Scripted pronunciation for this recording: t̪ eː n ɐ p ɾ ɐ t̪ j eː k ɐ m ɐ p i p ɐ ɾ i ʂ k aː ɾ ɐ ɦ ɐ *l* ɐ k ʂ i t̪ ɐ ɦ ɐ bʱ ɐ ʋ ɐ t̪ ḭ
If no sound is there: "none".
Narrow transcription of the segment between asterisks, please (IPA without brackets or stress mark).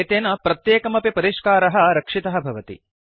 ɾ